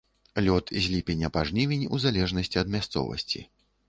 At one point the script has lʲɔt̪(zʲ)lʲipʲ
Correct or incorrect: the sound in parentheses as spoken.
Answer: correct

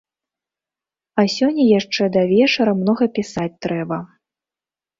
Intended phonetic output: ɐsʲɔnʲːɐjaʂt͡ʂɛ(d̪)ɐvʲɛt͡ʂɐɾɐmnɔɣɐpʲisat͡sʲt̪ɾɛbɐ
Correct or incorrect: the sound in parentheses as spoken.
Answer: correct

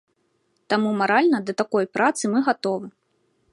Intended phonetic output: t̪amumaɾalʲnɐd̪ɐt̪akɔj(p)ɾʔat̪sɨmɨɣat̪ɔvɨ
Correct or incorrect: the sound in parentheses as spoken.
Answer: correct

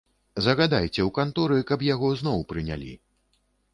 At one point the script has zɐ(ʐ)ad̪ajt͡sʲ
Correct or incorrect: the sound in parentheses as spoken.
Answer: incorrect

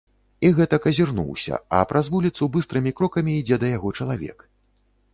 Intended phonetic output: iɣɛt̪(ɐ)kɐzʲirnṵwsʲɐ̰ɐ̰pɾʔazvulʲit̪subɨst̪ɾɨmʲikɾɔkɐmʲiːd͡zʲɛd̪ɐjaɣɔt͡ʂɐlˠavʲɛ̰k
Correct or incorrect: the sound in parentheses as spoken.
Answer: correct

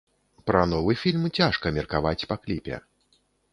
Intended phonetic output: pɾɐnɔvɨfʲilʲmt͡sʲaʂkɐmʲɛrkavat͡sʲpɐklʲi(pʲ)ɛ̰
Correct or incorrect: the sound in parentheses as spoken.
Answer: correct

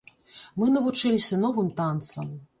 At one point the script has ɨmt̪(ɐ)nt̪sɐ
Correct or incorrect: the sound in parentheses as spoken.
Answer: incorrect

